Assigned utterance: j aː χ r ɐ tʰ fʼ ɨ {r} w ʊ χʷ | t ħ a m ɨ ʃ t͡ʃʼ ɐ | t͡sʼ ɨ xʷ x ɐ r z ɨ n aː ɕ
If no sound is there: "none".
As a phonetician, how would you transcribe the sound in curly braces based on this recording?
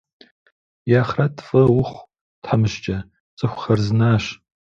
none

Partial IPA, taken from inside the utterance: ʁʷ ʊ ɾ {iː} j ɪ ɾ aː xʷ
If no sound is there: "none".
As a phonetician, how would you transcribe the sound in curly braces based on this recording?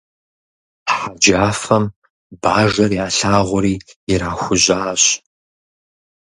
iː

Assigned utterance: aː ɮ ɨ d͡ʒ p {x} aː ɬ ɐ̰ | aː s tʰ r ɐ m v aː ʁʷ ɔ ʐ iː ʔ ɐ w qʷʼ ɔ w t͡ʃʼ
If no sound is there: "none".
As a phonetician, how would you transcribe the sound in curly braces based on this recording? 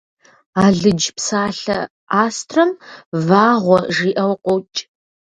s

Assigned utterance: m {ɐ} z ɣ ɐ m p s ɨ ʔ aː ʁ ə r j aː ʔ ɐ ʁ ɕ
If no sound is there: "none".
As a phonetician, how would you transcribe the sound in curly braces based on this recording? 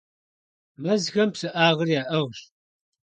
ɐ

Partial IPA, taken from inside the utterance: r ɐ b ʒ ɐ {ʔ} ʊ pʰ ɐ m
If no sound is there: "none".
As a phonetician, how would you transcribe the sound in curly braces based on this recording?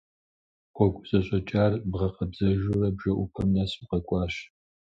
ʔ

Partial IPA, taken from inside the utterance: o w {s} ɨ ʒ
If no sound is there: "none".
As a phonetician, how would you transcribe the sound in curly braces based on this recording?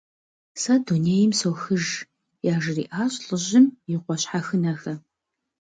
x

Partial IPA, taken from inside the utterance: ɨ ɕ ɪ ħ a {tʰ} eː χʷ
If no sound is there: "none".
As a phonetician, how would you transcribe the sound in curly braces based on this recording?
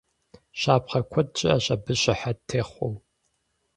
tʰ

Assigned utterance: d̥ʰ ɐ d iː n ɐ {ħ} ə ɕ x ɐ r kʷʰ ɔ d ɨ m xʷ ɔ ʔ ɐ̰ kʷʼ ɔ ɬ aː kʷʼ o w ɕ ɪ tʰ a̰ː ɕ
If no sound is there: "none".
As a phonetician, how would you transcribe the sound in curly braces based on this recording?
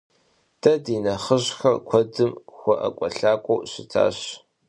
χ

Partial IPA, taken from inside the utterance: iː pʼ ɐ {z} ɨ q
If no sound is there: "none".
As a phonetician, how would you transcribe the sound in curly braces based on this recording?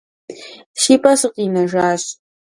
s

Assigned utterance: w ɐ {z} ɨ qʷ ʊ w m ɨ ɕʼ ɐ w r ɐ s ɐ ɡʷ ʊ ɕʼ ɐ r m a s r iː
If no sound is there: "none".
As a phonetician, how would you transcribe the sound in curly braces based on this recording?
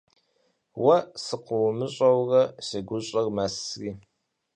s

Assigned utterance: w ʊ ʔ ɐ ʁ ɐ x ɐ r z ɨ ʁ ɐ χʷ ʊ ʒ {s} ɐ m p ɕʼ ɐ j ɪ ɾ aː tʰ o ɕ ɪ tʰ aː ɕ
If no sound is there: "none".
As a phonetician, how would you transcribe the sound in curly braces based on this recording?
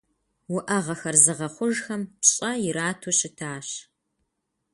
x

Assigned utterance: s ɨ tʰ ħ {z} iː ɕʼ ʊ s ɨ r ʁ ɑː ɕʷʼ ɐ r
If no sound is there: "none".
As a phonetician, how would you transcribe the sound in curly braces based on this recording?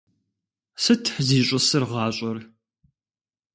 z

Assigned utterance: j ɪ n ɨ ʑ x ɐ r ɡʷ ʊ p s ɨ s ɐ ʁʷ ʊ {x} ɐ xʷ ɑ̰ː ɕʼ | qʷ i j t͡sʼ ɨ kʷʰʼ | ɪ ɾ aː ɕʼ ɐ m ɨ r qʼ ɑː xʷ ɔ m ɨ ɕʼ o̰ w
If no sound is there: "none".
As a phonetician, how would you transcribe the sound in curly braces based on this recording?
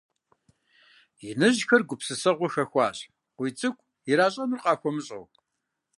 x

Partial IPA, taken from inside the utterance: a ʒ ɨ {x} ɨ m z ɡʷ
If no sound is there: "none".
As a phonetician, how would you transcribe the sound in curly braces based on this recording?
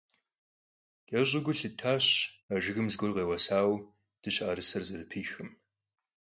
ɣ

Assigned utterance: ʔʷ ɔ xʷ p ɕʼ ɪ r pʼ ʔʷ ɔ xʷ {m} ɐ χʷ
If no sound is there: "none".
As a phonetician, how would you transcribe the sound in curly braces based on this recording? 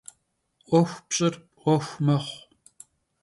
m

